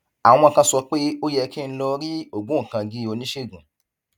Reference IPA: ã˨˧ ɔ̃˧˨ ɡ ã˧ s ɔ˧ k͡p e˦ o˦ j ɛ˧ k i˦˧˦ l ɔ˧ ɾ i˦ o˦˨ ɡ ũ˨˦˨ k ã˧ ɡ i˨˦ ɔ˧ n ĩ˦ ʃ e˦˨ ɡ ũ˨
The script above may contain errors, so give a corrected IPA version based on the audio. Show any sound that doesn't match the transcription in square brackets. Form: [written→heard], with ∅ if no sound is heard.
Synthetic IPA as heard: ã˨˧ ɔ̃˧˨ [ɡ→k] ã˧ s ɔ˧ k͡p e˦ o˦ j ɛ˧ k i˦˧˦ l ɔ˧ ɾ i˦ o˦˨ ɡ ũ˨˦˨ k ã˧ ɡ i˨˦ [ɔ˧→o˧] n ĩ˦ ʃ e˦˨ ɡ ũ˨